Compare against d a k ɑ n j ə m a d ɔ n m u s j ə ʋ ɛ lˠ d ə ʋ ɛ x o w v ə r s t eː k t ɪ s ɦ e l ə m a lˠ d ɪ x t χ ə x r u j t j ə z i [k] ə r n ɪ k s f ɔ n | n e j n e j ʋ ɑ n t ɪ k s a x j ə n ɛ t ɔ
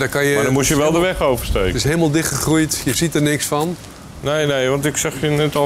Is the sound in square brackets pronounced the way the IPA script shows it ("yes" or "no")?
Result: no